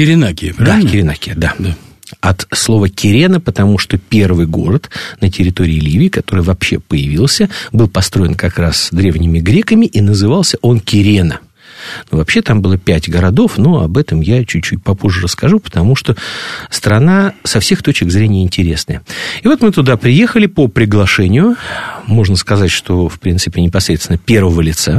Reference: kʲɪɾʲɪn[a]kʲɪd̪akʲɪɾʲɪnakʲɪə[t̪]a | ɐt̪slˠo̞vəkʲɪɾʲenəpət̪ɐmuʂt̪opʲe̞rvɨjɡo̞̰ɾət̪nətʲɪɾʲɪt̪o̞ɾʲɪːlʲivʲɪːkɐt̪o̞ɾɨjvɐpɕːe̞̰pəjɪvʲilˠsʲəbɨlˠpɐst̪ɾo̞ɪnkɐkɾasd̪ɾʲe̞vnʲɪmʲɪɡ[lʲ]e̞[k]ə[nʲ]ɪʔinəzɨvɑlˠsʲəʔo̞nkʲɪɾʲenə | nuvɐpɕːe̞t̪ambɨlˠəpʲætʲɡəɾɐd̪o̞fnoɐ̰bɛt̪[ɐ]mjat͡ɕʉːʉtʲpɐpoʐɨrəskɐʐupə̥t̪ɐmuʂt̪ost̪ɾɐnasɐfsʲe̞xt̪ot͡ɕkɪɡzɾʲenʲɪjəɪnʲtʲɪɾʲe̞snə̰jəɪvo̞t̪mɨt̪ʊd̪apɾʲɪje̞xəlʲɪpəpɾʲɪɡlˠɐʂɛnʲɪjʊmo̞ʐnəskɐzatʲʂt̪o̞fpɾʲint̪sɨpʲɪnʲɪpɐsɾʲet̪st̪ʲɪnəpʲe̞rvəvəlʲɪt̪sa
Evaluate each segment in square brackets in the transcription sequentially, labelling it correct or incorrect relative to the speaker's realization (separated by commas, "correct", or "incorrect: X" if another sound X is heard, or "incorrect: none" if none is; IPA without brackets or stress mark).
correct, incorrect: d̪, incorrect: ɾʲ, correct, incorrect: mʲ, incorrect: ə